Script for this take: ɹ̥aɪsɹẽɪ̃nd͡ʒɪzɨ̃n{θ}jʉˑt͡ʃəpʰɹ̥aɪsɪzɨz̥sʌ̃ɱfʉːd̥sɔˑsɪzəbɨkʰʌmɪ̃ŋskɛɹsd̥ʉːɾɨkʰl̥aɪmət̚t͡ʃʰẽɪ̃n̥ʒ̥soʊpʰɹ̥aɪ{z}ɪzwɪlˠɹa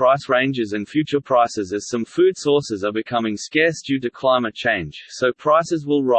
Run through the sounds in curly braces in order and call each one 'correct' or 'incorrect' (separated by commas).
incorrect, incorrect